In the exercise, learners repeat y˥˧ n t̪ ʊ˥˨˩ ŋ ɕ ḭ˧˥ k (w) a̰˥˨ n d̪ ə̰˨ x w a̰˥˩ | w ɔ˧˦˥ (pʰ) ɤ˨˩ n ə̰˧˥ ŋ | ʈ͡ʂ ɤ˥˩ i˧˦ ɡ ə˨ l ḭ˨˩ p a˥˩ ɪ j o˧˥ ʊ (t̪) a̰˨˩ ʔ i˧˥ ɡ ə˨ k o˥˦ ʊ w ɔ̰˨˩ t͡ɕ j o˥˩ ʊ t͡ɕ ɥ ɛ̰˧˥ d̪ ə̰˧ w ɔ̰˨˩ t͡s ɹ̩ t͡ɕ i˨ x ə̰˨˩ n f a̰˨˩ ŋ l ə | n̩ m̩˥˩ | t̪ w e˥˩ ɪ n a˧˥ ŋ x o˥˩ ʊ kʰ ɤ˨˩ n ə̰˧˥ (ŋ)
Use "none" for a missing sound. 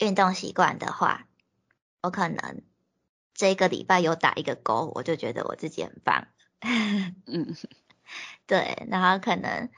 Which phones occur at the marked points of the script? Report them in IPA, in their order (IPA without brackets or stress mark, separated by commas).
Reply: w, kʰ, t̪, ŋ